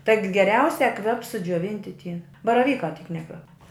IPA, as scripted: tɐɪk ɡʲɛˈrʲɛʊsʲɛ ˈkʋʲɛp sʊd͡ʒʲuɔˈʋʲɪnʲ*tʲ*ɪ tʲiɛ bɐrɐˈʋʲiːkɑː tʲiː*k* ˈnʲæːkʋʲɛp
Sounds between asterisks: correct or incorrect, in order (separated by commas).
correct, correct